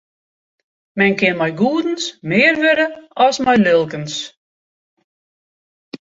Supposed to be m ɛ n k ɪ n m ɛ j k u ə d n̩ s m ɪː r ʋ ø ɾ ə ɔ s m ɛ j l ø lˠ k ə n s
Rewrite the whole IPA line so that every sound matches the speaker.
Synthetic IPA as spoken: m ɛ n k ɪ n m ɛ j ɡ u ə d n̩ s m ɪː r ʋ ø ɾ ə ɔ s m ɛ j l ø lˠ k ə n s